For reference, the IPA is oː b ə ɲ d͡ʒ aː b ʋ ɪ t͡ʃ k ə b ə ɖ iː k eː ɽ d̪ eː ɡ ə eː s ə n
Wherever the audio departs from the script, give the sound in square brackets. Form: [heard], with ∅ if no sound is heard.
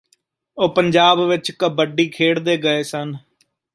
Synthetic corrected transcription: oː [p] ə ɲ d͡ʒ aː b ʋ ɪ t͡ʃ k ə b ə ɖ iː [kʰ] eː ɽ d̪ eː ɡ ə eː s ə n

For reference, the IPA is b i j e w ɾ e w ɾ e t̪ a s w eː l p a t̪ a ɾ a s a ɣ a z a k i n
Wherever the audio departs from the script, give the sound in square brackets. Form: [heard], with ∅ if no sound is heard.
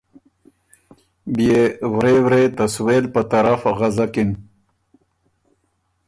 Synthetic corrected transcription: b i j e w ɾ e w ɾ e t̪ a s w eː l p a t̪ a ɾ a [f] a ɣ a z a k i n

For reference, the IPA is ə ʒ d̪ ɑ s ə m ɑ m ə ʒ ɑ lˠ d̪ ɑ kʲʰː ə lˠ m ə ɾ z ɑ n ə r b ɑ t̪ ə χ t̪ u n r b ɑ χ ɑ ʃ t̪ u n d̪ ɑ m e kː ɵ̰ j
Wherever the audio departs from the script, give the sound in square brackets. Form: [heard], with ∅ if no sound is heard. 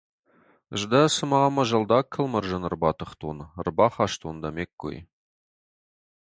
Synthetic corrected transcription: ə ʒ d̪ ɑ s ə m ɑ m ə ʒ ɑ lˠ d̪ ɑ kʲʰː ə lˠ m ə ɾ [ʒ] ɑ n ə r b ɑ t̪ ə χ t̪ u n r b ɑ χ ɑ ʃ t̪ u n d̪ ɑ m e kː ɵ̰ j

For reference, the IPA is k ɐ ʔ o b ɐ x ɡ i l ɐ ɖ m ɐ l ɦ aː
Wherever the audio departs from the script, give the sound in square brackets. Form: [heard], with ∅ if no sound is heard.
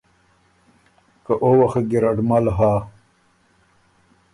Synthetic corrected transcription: k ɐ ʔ o [w] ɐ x ɡ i [ɾ] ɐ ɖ m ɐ l ɦ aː

